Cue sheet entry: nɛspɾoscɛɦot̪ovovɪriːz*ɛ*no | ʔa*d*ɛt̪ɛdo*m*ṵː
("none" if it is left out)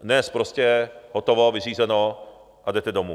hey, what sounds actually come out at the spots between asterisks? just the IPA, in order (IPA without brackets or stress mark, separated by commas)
ɛ, d, m